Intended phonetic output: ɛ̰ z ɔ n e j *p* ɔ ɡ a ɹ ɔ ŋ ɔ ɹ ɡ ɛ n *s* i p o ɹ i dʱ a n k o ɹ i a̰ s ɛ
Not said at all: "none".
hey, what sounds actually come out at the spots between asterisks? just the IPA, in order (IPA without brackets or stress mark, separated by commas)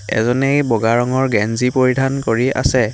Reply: b, z